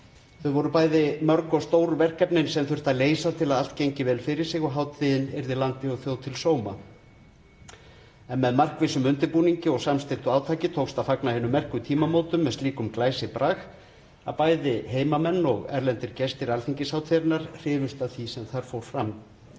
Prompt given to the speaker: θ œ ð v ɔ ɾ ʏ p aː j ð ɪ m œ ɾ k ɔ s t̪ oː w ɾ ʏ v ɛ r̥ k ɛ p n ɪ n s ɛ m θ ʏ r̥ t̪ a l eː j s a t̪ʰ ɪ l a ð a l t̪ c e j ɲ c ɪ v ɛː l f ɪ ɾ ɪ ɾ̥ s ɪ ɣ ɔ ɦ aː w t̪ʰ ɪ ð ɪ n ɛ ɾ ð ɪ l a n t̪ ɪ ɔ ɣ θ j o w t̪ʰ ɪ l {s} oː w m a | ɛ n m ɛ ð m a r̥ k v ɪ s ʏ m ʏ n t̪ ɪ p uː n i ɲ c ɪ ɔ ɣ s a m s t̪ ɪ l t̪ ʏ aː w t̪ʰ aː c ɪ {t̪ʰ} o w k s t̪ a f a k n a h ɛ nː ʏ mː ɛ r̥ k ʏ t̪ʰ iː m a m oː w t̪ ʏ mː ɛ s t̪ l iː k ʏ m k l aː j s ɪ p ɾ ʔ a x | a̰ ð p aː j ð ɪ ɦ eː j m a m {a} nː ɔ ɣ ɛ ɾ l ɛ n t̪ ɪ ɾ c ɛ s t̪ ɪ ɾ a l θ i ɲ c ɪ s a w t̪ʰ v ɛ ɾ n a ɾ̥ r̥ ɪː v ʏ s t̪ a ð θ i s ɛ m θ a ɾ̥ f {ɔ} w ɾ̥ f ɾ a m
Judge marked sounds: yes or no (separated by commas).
yes, yes, no, no